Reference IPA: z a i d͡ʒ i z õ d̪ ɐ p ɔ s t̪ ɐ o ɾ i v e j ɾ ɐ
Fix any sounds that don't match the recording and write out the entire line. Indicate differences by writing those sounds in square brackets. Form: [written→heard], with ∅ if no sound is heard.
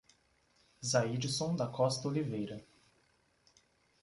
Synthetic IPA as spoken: z a i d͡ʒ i [z→s] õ d̪ ɐ [p→k] ɔ s t̪ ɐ o [ɾ→l] i v e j ɾ ɐ